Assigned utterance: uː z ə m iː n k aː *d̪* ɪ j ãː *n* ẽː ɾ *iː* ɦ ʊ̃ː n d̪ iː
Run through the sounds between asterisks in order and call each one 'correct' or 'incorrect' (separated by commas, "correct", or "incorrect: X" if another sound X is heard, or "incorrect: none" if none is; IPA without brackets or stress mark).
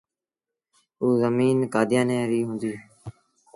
correct, correct, correct